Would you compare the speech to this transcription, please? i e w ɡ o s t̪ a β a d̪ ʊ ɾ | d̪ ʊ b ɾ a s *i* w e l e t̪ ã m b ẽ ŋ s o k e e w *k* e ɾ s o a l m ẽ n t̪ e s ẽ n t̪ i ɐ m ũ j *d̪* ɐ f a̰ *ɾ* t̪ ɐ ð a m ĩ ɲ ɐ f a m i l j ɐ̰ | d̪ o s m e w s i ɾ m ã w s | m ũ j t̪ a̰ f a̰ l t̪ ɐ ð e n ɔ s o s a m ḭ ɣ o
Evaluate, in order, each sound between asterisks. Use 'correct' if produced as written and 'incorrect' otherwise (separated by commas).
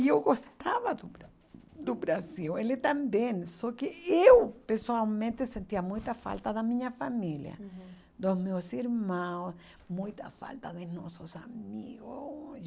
correct, incorrect, incorrect, incorrect